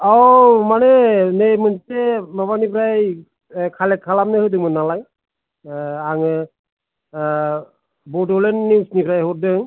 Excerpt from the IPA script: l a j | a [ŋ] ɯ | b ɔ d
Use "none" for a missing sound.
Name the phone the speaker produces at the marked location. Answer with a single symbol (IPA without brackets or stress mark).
ŋ